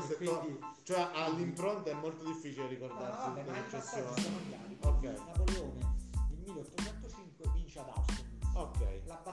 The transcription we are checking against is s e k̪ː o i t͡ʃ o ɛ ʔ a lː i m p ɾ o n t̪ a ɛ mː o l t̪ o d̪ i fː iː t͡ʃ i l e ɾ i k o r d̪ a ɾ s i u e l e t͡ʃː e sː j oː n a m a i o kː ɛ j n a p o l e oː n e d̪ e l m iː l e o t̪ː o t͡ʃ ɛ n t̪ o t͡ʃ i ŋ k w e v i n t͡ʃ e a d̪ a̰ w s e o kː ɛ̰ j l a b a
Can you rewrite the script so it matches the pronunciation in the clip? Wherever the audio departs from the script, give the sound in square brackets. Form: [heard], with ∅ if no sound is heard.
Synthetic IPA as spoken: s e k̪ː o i t͡ʃ o ɛ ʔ a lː i m p ɾ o n t̪ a ɛ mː o l t̪ o d̪ i fː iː t͡ʃ i l e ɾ i k o r d̪ a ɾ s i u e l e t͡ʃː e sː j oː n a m a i o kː ɛ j n a p o l e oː n e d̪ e l m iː l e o t̪ː o t͡ʃ ɛ n t̪ o t͡ʃ i ŋ k w e v i n t͡ʃ e a d̪ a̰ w s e o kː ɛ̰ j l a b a